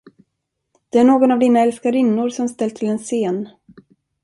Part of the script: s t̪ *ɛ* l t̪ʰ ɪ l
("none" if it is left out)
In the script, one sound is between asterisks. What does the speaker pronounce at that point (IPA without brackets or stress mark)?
ɛ